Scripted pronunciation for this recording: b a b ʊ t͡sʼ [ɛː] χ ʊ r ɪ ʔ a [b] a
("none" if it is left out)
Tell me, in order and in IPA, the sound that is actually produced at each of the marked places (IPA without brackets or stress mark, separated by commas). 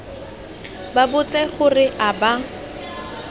ɛ, b